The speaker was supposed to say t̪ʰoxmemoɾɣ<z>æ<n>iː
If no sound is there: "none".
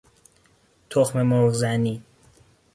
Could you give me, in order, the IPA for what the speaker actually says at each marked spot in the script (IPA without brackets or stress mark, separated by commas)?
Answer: z, n